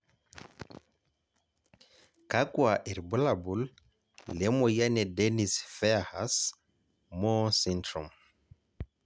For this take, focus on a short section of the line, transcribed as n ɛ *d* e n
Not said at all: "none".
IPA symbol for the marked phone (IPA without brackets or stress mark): d